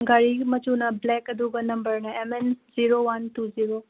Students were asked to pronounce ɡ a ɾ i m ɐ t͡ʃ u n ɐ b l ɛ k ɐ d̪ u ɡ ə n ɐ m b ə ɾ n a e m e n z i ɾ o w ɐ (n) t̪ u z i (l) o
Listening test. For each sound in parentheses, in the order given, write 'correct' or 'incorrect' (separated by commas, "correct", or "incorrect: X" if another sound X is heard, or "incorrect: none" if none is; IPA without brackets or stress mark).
correct, incorrect: ɾ